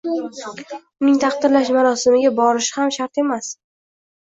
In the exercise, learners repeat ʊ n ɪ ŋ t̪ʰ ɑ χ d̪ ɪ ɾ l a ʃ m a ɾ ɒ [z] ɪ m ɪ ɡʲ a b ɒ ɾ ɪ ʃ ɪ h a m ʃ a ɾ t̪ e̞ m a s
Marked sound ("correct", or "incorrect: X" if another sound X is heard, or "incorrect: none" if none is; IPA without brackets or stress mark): incorrect: s